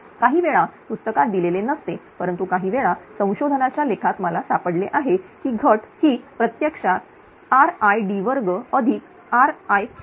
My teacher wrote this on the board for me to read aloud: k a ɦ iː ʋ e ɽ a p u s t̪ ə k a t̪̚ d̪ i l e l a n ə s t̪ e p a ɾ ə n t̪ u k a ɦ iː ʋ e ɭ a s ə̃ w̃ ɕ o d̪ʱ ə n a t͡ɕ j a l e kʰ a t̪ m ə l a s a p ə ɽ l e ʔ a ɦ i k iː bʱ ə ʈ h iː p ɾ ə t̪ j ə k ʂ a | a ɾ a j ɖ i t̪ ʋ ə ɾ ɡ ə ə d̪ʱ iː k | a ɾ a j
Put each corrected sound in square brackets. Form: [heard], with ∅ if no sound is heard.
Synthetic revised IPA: k a ɦ iː ʋ e [ɭ] a p u s t̪ ə k a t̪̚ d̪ i l e l [e] n ə s t̪ e p [ə] ɾ ə n t̪ u k a ɦ iː ʋ e ɭ a s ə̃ w̃ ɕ o d̪ʱ ə n a t͡ɕ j a l e kʰ a t̪ m ə l a s a p ə ɽ l e ʔ a ɦ [e] k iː [ɡʱ] ə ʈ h iː p ɾ ə t̪ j ə k ʂ a | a ɾ a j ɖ i [∅] ʋ ə ɾ ɡ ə ə d̪ʱ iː k | a ɾ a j